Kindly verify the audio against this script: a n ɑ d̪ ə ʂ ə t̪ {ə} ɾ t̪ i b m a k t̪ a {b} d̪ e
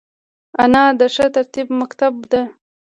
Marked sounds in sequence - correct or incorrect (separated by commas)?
incorrect, correct